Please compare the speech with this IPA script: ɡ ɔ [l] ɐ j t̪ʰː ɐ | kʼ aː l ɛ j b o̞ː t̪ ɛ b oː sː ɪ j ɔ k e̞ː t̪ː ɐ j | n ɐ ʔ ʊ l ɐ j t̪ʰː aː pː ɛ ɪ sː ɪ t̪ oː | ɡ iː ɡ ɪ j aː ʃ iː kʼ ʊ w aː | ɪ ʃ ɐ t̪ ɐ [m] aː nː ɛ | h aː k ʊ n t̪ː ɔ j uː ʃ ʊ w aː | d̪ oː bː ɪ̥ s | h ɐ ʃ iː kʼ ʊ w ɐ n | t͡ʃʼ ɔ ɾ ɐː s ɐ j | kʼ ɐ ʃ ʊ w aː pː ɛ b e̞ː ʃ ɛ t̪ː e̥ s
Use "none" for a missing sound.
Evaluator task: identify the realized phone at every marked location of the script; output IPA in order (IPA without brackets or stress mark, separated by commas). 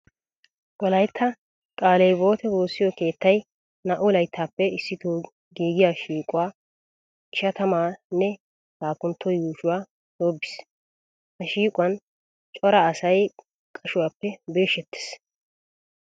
l, m